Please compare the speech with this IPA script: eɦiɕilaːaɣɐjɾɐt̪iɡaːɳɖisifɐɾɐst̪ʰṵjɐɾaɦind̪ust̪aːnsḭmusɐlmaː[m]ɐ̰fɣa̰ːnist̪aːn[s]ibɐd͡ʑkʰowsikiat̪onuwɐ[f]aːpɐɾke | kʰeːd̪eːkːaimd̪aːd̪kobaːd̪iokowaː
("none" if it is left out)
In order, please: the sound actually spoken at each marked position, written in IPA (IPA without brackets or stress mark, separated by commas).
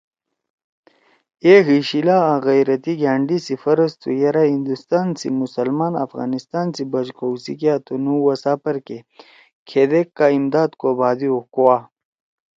n, s, s